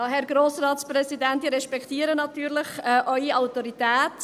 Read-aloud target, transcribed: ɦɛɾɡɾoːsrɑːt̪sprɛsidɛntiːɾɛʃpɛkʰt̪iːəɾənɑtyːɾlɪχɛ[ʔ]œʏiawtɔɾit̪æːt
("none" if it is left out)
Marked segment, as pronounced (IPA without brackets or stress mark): ʔ